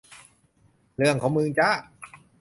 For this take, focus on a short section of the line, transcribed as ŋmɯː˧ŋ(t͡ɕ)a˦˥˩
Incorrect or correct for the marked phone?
correct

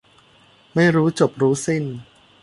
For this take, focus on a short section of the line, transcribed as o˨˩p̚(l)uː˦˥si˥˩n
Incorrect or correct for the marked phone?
incorrect: ɾ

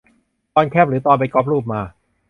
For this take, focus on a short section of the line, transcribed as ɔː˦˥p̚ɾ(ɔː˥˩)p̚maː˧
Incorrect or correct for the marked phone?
incorrect: uː˥˩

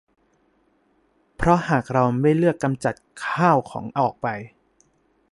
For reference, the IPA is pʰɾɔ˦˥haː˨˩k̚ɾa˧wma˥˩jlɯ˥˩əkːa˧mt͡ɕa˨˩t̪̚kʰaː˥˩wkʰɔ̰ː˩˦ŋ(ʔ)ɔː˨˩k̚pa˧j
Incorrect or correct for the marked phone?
correct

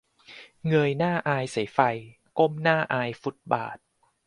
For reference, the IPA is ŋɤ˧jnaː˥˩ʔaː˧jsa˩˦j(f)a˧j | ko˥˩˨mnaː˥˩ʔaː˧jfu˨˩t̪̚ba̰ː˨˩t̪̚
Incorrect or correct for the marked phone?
correct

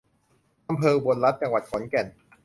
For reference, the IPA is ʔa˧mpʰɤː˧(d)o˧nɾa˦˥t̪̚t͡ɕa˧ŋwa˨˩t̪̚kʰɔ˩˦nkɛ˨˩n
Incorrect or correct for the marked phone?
incorrect: b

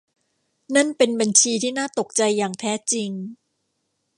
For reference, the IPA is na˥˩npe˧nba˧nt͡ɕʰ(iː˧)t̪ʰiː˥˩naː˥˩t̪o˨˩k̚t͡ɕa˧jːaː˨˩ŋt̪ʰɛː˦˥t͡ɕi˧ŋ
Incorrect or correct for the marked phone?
correct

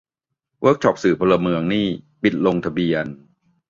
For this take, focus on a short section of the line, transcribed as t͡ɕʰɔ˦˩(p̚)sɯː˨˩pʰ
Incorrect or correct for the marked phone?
correct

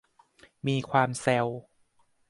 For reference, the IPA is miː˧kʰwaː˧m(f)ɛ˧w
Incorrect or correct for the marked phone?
incorrect: s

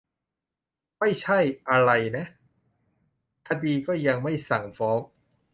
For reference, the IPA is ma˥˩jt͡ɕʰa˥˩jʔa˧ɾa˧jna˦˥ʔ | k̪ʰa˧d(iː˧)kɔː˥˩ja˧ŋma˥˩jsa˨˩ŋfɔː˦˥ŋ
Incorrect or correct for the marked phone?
correct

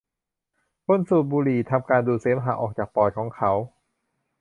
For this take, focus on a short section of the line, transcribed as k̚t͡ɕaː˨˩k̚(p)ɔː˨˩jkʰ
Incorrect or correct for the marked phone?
correct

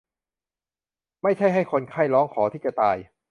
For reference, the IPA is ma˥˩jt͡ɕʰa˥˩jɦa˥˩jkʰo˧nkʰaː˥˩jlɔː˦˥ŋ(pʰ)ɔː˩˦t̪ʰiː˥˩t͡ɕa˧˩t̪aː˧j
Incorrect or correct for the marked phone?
incorrect: kʰ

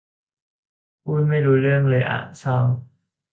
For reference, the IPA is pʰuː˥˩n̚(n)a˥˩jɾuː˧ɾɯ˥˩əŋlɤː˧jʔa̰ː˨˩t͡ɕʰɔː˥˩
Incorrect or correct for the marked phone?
incorrect: m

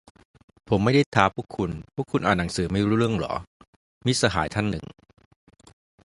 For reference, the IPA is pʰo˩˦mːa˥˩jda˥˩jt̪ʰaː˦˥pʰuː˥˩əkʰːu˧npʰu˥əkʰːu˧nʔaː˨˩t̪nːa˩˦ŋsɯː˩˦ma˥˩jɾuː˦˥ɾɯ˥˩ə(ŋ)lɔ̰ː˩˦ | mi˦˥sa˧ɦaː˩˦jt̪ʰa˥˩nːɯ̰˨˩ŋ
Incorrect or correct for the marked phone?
correct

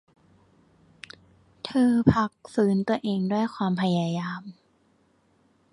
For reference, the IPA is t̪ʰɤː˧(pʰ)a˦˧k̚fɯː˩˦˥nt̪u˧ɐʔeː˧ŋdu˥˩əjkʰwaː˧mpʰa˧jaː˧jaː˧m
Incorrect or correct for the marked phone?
correct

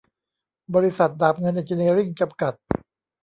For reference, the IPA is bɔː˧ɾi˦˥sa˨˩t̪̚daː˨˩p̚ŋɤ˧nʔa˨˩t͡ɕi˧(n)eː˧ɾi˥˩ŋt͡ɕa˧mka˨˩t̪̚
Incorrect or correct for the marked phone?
correct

